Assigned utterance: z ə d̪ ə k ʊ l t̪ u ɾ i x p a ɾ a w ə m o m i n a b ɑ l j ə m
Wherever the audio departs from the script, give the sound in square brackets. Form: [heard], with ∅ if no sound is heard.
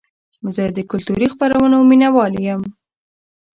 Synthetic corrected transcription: z ə d̪ ə k ʊ l t̪ u ɾ i x p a ɾ a w ə [n] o m i n a [w] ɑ l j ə m